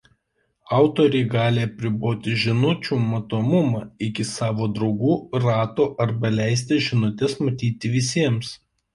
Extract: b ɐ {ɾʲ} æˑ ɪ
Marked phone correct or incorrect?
incorrect